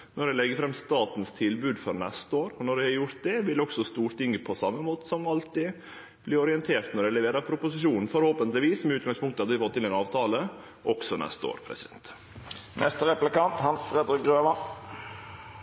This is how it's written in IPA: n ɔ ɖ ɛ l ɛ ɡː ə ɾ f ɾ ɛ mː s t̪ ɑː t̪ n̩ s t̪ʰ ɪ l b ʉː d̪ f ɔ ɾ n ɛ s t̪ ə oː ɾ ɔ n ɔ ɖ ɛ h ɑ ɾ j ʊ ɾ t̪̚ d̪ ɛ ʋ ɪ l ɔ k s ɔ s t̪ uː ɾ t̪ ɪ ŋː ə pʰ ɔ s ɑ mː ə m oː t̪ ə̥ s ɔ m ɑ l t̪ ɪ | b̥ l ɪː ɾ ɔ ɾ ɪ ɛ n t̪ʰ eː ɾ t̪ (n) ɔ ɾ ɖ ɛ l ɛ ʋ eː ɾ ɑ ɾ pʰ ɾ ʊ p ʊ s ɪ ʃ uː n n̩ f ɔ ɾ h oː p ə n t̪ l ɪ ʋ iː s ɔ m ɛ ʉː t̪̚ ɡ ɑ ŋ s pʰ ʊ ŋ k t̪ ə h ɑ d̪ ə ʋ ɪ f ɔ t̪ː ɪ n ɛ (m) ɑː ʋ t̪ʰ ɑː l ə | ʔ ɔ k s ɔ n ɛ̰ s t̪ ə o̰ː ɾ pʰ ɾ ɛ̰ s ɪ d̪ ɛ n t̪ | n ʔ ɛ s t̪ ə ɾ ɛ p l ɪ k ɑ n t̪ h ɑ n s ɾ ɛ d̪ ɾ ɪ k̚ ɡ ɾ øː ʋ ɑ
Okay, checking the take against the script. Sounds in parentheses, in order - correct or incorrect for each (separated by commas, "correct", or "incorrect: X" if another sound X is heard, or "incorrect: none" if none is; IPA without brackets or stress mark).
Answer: correct, incorrect: n